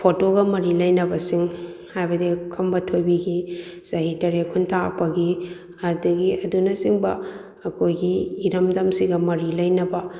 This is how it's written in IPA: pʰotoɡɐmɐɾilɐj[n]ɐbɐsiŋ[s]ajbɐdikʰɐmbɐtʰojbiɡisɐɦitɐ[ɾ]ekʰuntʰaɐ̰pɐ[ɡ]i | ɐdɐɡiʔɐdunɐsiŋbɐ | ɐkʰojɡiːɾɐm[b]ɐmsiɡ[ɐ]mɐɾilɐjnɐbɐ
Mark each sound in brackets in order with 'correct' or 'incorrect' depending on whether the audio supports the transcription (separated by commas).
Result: correct, incorrect, correct, correct, incorrect, correct